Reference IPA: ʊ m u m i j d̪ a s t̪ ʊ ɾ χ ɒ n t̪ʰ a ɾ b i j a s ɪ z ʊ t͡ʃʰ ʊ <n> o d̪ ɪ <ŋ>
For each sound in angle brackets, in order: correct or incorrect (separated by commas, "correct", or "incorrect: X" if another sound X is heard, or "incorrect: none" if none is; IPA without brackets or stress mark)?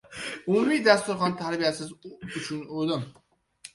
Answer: correct, incorrect: m